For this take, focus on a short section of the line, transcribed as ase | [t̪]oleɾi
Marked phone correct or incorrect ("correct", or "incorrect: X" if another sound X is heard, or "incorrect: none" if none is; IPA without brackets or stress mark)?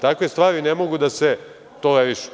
correct